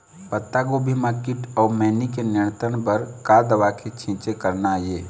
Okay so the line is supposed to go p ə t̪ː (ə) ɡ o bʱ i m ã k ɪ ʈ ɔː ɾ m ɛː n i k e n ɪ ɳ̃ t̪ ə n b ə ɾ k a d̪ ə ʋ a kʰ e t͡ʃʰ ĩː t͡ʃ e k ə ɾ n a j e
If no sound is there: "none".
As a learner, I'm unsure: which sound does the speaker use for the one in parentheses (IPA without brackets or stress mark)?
a